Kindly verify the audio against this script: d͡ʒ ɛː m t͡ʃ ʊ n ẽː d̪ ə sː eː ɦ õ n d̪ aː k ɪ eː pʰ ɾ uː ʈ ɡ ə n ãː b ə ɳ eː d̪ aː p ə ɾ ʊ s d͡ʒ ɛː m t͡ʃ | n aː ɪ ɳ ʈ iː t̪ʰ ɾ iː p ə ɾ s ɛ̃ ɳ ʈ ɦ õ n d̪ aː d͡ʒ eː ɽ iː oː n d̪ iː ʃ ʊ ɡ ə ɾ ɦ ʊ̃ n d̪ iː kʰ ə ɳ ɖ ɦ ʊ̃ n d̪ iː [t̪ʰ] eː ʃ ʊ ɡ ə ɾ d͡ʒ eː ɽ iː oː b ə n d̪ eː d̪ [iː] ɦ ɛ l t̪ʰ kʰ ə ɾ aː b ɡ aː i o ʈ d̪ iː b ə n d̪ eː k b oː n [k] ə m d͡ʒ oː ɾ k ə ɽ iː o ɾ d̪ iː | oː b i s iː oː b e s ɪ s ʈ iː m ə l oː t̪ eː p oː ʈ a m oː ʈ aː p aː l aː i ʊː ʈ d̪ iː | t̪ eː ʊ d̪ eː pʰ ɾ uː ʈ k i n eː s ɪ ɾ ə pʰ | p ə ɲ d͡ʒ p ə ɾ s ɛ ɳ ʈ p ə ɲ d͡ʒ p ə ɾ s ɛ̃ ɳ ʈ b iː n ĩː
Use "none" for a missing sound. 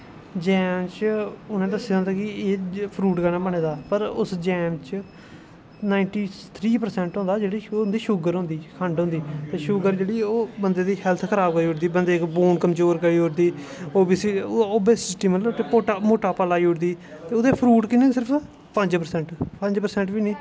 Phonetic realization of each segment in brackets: t̪, iː, k

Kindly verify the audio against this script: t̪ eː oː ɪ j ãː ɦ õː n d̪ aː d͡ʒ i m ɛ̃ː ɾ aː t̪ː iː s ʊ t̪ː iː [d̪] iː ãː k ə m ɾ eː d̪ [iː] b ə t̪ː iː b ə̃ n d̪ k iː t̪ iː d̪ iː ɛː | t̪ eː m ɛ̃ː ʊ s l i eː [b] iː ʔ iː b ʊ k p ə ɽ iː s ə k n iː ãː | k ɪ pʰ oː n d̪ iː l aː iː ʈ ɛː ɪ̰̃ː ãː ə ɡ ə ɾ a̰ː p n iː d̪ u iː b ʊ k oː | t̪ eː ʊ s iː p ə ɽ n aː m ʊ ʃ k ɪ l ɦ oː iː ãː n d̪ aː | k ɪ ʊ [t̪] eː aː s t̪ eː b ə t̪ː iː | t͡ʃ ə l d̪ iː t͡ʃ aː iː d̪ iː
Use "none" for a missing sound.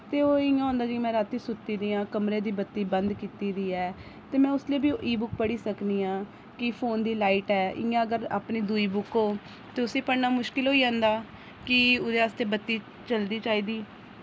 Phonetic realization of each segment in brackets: d̪, iː, b, d̪

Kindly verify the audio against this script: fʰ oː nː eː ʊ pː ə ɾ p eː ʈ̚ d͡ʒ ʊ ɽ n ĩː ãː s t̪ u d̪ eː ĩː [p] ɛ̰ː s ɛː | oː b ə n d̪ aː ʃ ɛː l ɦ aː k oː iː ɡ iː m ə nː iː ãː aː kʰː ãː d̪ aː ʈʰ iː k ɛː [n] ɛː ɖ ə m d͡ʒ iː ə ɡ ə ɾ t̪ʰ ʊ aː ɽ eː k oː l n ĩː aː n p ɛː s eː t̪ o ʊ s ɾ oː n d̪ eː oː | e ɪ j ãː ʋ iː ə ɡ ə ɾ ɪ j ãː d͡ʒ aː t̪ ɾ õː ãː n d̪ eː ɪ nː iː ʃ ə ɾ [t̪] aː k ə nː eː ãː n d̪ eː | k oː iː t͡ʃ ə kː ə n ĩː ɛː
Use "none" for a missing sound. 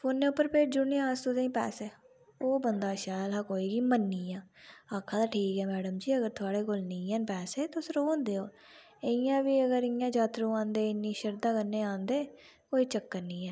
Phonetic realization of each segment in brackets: p, m, d̪

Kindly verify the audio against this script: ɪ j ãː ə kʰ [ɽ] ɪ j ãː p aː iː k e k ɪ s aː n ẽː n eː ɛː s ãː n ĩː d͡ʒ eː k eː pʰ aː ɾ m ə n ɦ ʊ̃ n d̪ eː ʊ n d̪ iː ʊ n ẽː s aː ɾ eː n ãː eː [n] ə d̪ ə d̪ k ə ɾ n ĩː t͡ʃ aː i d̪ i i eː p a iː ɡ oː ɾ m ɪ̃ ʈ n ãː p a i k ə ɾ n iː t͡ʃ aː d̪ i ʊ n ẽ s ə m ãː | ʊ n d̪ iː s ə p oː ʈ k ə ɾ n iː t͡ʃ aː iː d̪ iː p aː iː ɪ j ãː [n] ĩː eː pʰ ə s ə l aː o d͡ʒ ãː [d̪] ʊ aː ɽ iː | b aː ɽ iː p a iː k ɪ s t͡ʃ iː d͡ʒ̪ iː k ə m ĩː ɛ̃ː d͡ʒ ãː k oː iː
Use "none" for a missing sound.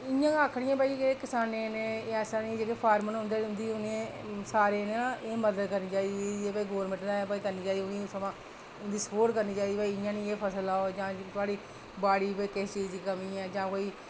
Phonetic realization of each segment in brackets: ɽ, m, n, t̪

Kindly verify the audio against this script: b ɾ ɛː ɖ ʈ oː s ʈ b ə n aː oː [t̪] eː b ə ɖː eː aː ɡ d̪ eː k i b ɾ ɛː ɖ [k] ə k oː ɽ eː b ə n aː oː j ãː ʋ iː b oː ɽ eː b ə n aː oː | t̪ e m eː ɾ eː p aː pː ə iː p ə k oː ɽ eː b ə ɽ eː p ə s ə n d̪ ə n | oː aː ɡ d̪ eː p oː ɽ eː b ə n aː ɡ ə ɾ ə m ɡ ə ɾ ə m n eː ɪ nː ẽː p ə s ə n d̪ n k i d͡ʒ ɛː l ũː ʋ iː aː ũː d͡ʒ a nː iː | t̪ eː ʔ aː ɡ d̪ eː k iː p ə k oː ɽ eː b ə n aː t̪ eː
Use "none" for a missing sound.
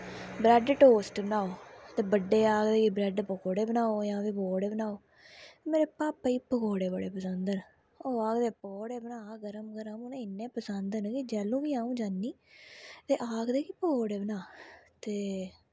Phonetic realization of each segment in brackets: t̪, p

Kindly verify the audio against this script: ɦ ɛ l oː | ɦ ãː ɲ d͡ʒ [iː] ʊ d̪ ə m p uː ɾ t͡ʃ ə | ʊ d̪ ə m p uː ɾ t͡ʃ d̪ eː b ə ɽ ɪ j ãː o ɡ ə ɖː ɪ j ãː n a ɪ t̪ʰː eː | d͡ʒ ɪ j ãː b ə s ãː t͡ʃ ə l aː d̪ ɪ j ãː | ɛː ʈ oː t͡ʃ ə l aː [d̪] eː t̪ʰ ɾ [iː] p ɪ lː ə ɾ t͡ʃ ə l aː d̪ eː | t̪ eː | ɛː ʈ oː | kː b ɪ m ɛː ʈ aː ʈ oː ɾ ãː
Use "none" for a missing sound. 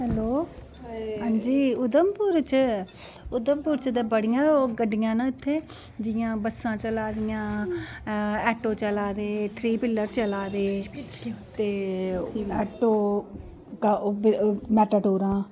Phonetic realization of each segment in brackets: iː, d̪, iː

